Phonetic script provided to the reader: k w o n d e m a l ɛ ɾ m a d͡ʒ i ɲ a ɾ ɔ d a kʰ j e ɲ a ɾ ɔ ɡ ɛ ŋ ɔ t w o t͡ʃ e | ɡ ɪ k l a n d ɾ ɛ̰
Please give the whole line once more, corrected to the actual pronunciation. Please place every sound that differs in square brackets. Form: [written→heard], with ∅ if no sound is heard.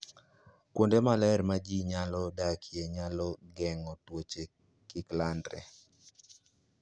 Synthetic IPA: k w o n d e m a l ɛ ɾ m a d͡ʒ i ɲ a [ɾ→l] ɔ d a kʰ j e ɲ a [ɾ→l] ɔ ɡ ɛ ŋ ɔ t w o t͡ʃ e | [ɡ→k] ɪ k l a n d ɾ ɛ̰